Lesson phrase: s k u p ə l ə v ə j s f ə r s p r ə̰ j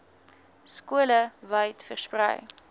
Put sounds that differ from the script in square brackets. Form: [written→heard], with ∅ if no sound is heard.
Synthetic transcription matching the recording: s k u [p→∅] ə l ə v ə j [s→t] f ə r s p r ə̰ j